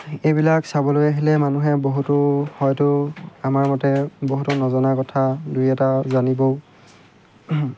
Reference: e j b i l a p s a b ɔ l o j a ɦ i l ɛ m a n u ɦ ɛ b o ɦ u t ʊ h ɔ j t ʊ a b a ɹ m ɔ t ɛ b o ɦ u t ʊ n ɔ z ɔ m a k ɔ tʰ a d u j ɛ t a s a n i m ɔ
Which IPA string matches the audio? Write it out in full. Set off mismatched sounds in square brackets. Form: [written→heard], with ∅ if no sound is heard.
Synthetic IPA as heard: e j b i l a [p→k] s a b ɔ l o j a ɦ i l ɛ m a n u ɦ ɛ b o ɦ u t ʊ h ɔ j t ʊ a [b→m] a ɹ m ɔ t ɛ b o ɦ u t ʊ n ɔ z ɔ [m→n] a k ɔ tʰ a d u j ɛ t a [s→z] a n i [m→b] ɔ